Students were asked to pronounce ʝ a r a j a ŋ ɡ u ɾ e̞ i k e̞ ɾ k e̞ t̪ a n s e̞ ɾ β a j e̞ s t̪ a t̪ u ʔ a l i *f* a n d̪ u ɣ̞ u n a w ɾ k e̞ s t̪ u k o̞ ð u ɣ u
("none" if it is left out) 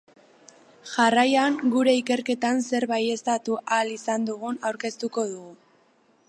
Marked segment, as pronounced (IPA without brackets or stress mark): s